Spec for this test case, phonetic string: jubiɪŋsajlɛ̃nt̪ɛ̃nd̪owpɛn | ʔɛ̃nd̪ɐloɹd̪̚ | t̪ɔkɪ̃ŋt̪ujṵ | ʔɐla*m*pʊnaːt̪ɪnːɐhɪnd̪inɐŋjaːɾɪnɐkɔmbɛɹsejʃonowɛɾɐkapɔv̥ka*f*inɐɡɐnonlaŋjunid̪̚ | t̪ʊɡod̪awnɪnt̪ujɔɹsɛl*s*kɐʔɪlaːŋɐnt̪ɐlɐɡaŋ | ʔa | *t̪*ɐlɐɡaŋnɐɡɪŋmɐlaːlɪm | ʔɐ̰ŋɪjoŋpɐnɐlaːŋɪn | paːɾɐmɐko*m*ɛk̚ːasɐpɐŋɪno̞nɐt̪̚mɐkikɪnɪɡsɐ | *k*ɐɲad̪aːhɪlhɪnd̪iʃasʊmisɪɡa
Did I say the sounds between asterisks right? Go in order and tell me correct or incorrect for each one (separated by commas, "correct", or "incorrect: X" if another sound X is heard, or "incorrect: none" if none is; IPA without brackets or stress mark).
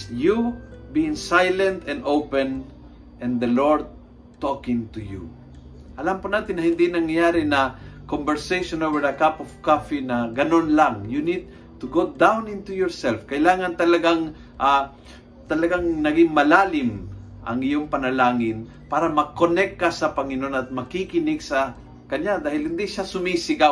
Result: correct, correct, incorrect: f, correct, incorrect: n, correct